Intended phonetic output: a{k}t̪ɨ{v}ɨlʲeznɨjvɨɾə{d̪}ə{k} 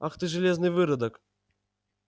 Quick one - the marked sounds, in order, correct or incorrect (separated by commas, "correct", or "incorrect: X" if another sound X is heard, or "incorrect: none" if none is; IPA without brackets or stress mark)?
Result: incorrect: x, incorrect: ʐ, correct, correct